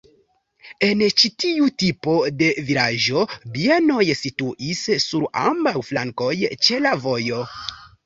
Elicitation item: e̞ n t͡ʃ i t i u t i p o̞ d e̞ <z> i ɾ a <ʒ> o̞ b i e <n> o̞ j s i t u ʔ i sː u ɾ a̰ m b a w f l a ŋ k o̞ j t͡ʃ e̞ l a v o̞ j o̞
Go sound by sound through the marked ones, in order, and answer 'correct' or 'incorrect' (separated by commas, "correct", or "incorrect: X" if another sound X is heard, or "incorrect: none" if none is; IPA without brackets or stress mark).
incorrect: v, correct, correct